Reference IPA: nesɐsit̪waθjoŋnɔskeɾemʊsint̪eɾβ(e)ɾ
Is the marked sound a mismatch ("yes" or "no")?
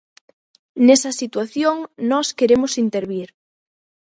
yes